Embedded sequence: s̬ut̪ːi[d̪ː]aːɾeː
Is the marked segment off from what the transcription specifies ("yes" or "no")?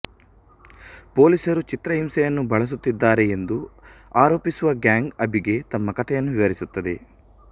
no